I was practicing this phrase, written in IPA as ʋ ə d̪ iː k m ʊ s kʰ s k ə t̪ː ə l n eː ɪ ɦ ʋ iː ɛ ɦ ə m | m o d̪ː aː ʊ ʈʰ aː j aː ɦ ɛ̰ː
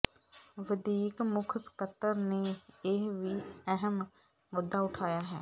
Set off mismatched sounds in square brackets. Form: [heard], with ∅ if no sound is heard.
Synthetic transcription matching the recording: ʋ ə d̪ iː k m ʊ [∅] kʰ s k ə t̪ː ə [ɾ] n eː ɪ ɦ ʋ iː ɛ ɦ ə m | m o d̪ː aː ʊ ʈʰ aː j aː ɦ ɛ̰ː